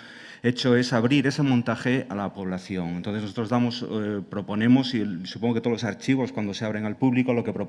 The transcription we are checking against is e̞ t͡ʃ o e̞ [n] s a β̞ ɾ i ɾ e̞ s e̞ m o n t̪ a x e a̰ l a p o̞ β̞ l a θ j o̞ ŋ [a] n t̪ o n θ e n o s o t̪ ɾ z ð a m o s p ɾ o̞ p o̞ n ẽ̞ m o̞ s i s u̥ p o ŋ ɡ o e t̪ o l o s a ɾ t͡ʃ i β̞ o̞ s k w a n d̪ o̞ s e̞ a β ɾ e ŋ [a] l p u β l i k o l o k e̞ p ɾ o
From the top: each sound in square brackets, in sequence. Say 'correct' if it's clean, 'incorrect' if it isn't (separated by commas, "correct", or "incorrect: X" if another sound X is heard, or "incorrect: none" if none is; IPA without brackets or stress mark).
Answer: incorrect: none, incorrect: e, correct